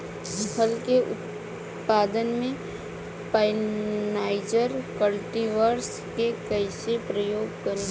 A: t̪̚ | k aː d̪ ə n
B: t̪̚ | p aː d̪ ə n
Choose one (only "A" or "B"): B